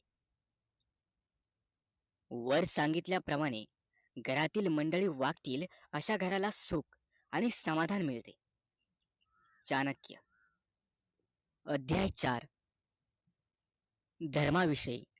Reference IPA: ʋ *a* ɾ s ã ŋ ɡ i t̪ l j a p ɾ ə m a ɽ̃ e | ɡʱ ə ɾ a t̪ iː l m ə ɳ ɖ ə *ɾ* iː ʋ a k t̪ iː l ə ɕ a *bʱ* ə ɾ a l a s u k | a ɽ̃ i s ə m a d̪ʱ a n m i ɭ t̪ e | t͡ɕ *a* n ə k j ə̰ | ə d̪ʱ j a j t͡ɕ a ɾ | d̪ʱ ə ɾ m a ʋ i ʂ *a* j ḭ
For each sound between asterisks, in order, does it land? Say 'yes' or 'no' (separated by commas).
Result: no, no, no, yes, no